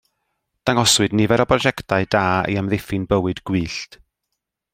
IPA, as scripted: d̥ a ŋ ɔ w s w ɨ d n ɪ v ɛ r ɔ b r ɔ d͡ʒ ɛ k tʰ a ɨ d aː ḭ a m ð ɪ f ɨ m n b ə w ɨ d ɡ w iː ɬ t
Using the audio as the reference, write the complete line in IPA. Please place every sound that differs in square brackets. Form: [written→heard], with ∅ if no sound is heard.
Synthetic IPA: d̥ a ŋ ɔ [w→∅] s w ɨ d n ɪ v ɛ [r→ɾ] ɔ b r ɔ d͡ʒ ɛ k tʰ a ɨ d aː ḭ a m ð ɪ f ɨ [m→∅] n b ə w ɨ d ɡ w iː ɬ t